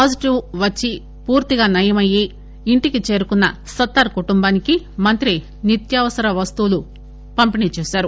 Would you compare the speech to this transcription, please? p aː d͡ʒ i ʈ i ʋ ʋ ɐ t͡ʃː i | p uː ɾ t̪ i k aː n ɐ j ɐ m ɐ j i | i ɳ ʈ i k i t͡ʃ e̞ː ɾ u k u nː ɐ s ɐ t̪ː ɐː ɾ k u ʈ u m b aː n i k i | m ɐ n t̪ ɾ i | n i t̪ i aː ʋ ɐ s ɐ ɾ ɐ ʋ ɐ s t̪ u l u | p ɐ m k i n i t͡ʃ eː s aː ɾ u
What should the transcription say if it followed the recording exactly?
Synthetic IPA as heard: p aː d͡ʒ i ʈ i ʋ ʋ ɐ t͡ʃː i | p uː ɾ t̪ i ɡ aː n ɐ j ɐ m ɐ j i | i ɳ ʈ i k i t͡ʃ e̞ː ɾ u k u nː ɐ s ɐ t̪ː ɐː ɾ k u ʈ u m b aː n i k i | m ɐ n t̪ ɾ i | n i t̪ j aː ʋ ɐ s ɐ ɾ ɐ ʋ ɐ s t̪ u l u | p ɐ m p i n i t͡ʃ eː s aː ɾ u